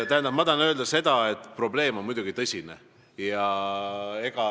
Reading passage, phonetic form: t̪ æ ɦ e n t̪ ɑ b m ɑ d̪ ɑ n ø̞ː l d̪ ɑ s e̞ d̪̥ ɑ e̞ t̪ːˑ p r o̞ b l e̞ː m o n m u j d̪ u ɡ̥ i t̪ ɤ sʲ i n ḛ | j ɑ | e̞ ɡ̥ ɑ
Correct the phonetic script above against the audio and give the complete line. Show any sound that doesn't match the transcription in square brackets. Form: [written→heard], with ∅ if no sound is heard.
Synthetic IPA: t̪ æ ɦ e n [t̪→d̪] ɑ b m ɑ d̪ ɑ n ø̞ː l d̪ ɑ s e̞ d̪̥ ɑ e̞ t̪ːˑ p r o̞ b l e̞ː m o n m u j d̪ u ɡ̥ i t̪ ɤ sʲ i n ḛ | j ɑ | e̞ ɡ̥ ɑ